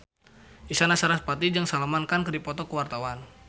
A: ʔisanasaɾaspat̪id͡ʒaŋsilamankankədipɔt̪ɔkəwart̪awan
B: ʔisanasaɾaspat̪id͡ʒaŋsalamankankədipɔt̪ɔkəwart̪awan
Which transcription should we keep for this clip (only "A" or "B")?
B